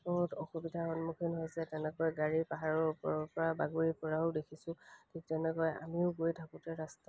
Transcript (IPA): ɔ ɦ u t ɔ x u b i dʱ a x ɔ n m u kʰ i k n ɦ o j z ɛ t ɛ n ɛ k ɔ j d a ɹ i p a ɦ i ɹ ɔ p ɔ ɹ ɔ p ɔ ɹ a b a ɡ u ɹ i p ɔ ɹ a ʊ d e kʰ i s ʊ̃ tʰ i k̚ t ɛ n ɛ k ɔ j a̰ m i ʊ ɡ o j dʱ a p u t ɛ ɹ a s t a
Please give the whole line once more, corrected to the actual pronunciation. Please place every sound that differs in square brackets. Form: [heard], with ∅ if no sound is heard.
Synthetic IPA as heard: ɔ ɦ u t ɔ x u b i dʱ a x ɔ n m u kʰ i [∅] n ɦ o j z ɛ t ɛ n ɛ k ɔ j [ɡ] a ɹ i p a ɦ [a] ɹ ɔ p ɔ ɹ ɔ p ɔ ɹ a b a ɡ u ɹ i p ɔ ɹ a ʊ d e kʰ i s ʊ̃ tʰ i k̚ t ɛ n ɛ k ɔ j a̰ m i ʊ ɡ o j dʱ a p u t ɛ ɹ a s t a

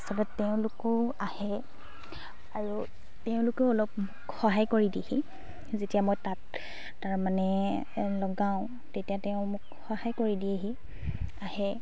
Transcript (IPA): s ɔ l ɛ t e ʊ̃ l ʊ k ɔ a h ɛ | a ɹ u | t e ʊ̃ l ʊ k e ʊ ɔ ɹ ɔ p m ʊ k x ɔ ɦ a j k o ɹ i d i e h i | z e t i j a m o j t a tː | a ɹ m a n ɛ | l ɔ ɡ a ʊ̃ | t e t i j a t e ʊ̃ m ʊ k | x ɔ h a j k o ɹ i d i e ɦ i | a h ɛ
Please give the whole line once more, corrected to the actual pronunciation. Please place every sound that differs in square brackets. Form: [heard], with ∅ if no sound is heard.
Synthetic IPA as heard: s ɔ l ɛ t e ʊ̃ l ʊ k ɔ a h ɛ | a ɹ u | t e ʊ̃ l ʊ k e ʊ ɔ [l] ɔ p m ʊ k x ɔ ɦ a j k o ɹ i d i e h i | z e t i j a m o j t a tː | a ɹ m a n ɛ | l ɔ ɡ a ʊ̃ | t e t i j a t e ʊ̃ m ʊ k | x ɔ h a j k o ɹ i d i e ɦ i | a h ɛ

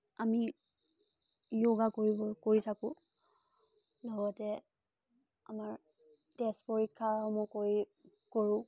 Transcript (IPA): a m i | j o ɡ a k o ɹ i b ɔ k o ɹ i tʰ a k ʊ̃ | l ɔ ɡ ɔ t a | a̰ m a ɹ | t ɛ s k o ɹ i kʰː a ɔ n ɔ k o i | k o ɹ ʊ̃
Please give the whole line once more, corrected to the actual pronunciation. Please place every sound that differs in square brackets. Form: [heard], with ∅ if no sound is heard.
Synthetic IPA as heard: a m i | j o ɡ a k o ɹ i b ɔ k o ɹ i tʰ a k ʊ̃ | l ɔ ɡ ɔ t [ɛ] | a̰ m a ɹ | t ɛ s [p] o ɹ i kʰː a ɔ [m] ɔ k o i | k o ɹ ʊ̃

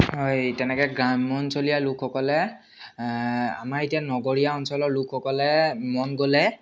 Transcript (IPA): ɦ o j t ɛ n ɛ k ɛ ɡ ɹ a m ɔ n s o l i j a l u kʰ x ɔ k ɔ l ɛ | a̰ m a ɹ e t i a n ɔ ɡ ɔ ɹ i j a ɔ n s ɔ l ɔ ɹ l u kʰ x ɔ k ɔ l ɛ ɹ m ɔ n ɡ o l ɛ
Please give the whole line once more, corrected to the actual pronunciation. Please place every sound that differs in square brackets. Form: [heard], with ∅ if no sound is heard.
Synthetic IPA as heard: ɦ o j t ɛ n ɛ k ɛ ɡ ɹ a m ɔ n s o l i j a l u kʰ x ɔ k ɔ l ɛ | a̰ m a ɹ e t i a n ɔ ɡ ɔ ɹ i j a ɔ n s ɔ l ɔ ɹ l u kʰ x ɔ k ɔ l ɛ [∅] m ɔ n ɡ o l ɛ

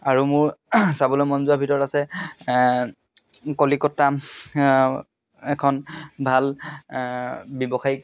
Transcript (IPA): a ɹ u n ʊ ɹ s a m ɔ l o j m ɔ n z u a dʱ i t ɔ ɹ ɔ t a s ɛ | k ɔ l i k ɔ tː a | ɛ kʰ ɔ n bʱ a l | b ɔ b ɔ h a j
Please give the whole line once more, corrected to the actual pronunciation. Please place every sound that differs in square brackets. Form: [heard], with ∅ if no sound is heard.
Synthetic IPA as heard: a ɹ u [m] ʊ ɹ s a [b] ɔ l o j m ɔ n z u a [bʱ] i t ɔ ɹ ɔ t a s ɛ | k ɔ l i k ɔ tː a | ɛ kʰ ɔ n bʱ a l | b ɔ b ɔ [x] a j

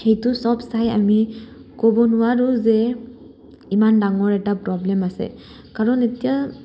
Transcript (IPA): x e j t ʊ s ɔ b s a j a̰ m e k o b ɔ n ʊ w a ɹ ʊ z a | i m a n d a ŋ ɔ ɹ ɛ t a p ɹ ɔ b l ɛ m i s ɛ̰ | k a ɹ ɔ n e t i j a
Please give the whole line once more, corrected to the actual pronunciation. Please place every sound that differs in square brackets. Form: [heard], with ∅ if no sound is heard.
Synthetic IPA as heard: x e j t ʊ s ɔ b s a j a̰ m [i] k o b ɔ n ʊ w a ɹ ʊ z [ɛ] | i m a n d a ŋ ɔ ɹ ɛ t a p ɹ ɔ b l ɛ m [a] s ɛ̰ | k a ɹ ɔ n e t i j a

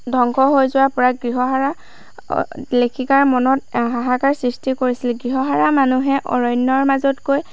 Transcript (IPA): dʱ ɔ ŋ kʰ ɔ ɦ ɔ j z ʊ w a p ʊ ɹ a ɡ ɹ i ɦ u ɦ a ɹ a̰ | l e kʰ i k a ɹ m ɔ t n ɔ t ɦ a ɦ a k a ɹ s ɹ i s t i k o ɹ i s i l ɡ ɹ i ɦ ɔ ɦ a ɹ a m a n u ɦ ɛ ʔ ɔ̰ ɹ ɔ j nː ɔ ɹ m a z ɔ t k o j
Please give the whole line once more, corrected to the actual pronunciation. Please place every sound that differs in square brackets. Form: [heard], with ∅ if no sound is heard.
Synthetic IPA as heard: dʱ ɔ ŋ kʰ ɔ ɦ [o] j z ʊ w a p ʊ ɹ a ɡ ɹ i ɦ [ɔ] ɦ a ɹ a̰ | l e kʰ i k a ɹ m ɔ [∅] n ɔ t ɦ a ɦ a k a ɹ s ɹ i s t i k o ɹ i s i l ɡ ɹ i ɦ ɔ ɦ a ɹ a m a n u ɦ ɛ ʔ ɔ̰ ɹ ɔ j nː ɔ ɹ m a z ɔ t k o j

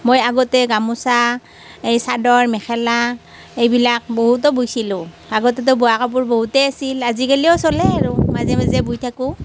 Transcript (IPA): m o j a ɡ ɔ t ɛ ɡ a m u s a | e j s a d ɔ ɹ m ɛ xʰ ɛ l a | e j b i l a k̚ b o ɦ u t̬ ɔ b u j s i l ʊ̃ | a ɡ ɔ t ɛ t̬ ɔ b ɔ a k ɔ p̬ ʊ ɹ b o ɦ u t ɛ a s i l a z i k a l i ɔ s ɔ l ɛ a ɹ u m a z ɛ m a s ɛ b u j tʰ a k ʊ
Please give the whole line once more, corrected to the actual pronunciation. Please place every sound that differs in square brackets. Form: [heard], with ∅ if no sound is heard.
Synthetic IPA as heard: m o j a ɡ ɔ t ɛ ɡ a m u s a | e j s a d ɔ ɹ m ɛ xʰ ɛ l a | e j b i l a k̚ b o ɦ u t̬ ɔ b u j s i l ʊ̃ | a ɡ ɔ t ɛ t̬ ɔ b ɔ a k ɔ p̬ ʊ ɹ b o ɦ u t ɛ a s i l a z i k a l i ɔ s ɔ l ɛ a ɹ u m a z ɛ m a [z] ɛ b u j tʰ a k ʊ

